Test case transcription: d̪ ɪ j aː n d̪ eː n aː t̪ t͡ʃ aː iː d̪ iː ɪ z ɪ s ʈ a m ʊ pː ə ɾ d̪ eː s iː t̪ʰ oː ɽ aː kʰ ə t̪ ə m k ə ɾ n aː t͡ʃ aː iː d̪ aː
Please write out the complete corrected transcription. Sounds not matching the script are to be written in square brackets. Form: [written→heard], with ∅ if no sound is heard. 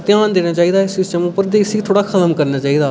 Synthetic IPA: [d̪→t̪] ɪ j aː n d̪ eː n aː [t̪→∅] t͡ʃ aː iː d̪ [iː→aː] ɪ [z→s] ɪ s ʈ [a→ə] m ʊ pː ə ɾ d̪ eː s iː t̪ʰ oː ɽ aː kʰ ə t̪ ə m k ə ɾ n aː t͡ʃ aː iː d̪ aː